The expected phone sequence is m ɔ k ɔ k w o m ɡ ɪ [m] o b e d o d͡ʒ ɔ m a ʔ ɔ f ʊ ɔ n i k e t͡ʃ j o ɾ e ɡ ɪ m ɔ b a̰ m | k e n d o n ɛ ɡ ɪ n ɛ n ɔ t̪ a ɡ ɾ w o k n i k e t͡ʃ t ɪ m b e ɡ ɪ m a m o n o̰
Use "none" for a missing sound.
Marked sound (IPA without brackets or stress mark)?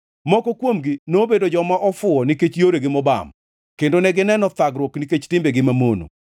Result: n